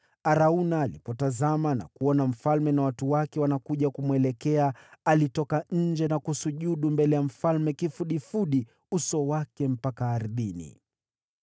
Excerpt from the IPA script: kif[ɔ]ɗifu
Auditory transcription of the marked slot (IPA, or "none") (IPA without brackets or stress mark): u